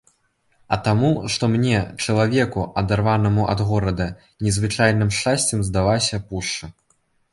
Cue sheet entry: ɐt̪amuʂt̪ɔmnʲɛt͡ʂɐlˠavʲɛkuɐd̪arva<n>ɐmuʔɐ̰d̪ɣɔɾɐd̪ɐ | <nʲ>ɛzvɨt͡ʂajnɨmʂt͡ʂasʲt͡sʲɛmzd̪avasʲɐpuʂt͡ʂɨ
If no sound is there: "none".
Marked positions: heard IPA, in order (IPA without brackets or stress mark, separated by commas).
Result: n, nʲ